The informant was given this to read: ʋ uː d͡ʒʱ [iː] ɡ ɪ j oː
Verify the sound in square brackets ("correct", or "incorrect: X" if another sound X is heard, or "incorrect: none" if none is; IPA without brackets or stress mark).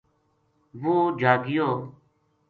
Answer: incorrect: aː